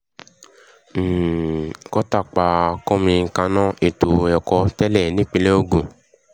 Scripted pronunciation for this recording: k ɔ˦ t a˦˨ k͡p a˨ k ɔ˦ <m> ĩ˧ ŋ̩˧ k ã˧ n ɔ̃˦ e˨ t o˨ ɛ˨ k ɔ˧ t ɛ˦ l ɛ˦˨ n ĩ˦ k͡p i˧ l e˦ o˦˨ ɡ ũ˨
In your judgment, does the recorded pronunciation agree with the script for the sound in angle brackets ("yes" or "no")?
yes